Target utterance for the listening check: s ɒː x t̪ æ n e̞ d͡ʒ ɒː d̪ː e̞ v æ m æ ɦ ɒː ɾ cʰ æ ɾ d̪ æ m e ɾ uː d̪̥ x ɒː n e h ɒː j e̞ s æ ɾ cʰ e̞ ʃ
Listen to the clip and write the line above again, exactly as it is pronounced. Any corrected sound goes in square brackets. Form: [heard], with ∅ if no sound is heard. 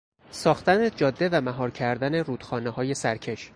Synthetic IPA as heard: s ɒː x t̪ æ n e̞ d͡ʒ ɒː d̪ː e̞ v æ m æ ɦ ɒː ɾ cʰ æ ɾ d̪ æ [n] e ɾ uː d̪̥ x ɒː n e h ɒː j e̞ s æ ɾ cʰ e̞ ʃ